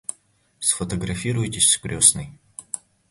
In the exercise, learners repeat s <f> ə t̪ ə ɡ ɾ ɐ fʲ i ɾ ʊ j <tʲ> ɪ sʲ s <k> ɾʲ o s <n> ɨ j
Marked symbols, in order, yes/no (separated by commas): yes, yes, yes, yes